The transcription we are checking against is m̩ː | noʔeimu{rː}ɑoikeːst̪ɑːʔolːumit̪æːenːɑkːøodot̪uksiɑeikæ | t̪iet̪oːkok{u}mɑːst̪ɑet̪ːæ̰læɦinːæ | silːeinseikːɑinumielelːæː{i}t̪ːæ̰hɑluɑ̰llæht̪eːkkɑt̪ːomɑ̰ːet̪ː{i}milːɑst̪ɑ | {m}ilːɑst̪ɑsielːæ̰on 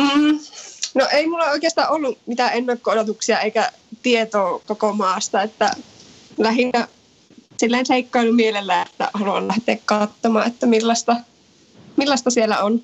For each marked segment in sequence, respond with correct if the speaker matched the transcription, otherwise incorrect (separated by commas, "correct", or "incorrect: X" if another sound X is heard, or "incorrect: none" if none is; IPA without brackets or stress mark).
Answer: incorrect: lː, incorrect: o, incorrect: e, incorrect: æ, correct